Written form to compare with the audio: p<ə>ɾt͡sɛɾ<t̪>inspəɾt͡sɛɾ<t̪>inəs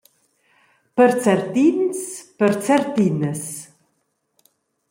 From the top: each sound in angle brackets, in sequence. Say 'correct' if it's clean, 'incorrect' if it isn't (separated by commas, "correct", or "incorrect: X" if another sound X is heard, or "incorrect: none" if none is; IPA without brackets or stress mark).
correct, correct, correct